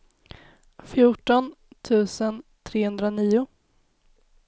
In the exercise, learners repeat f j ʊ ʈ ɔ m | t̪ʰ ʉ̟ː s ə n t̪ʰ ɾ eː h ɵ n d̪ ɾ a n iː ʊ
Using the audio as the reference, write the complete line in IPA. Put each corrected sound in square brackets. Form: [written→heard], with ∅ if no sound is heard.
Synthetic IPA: f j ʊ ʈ ɔ [m→n] | t̪ʰ ʉ̟ː s ə n t̪ʰ ɾ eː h ɵ n d̪ ɾ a n iː ʊ